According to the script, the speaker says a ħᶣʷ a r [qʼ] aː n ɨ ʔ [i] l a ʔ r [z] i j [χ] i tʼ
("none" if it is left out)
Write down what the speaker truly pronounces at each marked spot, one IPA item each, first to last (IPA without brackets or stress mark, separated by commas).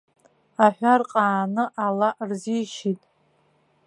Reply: qʼ, a, z, ʃ